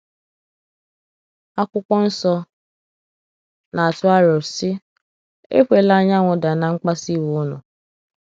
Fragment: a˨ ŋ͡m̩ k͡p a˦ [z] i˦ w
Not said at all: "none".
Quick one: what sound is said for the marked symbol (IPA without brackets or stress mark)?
s